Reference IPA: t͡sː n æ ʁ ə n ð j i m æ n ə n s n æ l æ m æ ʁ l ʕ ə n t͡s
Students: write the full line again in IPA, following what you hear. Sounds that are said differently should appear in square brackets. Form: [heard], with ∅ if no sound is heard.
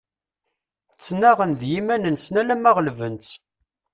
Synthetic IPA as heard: t͡sː n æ ʁ ə n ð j i m æ n ə n s n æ l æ m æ ʁ l [v] ə n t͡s